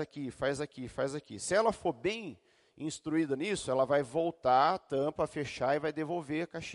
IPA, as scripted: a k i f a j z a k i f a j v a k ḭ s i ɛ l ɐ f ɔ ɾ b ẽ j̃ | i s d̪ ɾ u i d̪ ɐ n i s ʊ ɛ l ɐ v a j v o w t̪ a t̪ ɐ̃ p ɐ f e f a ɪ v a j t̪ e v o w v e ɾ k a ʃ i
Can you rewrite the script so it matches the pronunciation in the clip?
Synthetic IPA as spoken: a k i f a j z a k i f a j z a k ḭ s ɪ ɛ l ɐ f o ɾ b ẽ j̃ | ĩ s t̪ ɾ u i d̪ ɐ n i s ʊ ɛ l ɐ v a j v o w t̪ a t̪ ɐ̃ p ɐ f e ʃ a ɪ v a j d̪ e v o w v e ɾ k a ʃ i